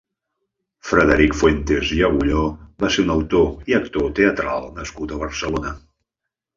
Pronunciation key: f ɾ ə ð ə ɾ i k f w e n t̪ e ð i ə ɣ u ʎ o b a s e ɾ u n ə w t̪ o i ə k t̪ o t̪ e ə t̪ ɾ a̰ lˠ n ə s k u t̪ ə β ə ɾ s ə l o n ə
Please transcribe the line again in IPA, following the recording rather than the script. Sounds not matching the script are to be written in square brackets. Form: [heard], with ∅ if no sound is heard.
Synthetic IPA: f ɾ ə ð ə ɾ i k f w e n t̪ e [z] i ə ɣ u ʎ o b a s e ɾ u n ə w t̪ o i ə k t̪ o t̪ e ə t̪ ɾ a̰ lˠ n ə s k u t̪ ə β ə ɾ s ə l o n ə